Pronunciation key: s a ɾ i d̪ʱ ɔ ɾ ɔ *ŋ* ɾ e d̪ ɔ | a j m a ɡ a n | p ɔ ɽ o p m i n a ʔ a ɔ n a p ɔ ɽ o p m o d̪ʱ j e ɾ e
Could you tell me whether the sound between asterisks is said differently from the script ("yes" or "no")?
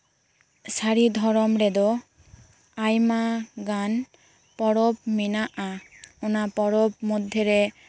yes